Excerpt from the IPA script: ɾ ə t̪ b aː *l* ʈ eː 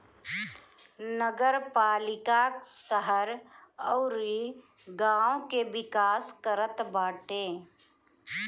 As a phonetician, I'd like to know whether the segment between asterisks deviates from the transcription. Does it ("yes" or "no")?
yes